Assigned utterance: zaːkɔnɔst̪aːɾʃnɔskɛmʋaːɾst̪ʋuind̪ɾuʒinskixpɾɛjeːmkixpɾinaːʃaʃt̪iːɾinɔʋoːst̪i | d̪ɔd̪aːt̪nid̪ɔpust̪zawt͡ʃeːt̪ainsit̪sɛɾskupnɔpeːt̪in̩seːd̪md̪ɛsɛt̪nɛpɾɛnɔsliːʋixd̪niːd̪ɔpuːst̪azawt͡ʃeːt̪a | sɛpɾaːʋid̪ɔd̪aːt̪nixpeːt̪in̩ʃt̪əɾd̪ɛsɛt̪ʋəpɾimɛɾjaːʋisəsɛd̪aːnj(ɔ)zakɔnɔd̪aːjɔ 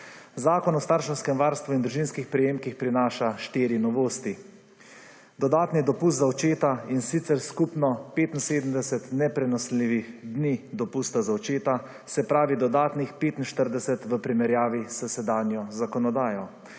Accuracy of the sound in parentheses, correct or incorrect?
correct